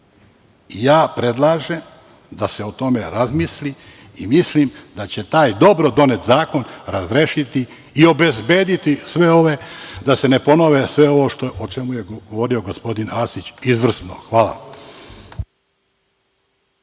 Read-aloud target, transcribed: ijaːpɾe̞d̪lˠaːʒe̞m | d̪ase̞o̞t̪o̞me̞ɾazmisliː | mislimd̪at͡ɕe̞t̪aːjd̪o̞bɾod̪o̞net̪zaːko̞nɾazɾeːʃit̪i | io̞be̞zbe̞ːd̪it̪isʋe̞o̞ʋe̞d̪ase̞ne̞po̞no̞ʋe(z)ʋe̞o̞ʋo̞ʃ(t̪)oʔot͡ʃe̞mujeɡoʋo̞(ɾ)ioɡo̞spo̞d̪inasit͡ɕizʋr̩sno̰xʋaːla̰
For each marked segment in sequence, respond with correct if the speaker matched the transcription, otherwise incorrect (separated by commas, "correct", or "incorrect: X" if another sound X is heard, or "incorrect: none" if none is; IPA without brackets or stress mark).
incorrect: s, correct, correct